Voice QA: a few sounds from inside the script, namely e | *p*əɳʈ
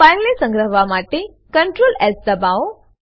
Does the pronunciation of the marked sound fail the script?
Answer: yes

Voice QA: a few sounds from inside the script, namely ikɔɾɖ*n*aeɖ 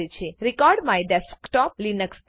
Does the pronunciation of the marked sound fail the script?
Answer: yes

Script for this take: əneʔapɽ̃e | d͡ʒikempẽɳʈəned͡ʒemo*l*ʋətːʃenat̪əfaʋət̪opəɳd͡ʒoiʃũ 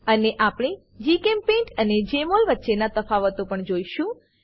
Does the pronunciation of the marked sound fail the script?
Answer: no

